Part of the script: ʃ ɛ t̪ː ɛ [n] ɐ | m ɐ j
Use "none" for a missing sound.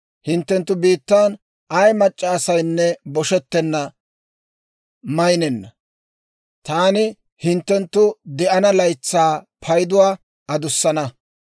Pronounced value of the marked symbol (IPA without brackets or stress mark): nː